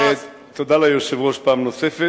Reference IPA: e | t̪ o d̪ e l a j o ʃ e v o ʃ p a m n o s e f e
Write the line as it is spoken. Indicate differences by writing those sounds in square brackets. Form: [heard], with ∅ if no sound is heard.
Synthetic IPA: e | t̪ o d̪ [a] l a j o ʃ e v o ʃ p a m n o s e f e